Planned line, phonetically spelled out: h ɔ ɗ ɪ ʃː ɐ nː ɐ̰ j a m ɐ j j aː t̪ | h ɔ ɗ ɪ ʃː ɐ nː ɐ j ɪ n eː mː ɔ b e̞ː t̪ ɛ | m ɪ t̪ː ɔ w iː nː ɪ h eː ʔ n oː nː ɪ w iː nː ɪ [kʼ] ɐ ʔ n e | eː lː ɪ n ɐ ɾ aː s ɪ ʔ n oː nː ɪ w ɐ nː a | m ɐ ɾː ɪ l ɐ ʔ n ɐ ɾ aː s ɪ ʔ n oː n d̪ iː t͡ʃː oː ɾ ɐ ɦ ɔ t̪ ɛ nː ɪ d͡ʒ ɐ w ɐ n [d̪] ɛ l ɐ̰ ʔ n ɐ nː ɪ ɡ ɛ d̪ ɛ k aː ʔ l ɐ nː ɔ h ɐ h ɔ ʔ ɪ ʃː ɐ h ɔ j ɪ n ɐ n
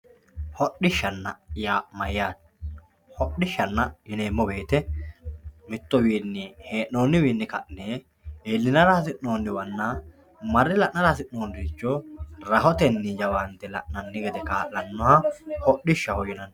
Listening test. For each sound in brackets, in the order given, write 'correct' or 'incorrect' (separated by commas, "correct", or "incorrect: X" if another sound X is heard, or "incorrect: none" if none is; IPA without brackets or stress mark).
incorrect: k, incorrect: t̪